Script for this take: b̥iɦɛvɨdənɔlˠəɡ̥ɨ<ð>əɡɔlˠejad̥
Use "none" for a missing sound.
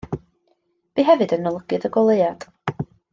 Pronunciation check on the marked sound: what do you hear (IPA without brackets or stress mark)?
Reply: ð